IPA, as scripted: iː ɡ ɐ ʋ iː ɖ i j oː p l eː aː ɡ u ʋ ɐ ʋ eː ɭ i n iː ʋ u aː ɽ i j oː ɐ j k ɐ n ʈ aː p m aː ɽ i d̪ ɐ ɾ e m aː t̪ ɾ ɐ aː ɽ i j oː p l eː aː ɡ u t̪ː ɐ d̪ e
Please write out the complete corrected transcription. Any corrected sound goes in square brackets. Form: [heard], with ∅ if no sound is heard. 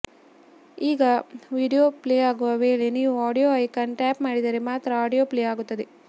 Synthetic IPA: iː ɡ ɐ ʋ iː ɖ i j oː p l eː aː ɡ u ʋ ɐ ʋ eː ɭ [e] n iː ʋ u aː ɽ i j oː ɐ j k ɐ n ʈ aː p m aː ɽ i d̪ ɐ ɾ e m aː t̪ ɾ ɐ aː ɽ i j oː p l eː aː ɡ u t̪ː ɐ d̪ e